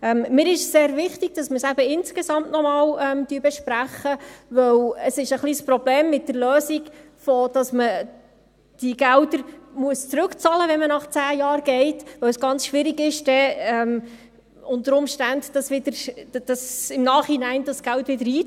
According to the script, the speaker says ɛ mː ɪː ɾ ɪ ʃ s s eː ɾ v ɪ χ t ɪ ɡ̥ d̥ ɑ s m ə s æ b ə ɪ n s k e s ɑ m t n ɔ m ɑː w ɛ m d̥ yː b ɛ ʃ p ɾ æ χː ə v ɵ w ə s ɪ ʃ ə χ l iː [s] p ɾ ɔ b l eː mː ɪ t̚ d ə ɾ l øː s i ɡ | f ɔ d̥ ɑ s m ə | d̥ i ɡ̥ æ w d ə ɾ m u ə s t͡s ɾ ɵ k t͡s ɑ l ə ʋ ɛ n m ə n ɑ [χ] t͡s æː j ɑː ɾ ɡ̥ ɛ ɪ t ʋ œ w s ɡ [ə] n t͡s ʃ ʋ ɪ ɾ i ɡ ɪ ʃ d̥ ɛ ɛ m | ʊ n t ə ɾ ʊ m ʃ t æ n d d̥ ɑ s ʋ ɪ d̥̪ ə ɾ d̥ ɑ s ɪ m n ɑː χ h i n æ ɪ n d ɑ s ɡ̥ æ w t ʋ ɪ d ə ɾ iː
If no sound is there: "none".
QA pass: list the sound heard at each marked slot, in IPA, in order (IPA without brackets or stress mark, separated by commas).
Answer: s, χ, ɑ